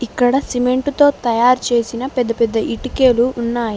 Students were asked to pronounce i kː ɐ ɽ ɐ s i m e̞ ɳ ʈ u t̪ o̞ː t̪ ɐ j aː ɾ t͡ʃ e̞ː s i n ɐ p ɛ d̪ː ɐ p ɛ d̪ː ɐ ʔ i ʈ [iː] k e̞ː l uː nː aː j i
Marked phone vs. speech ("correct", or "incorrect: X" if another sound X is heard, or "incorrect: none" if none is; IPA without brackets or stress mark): incorrect: i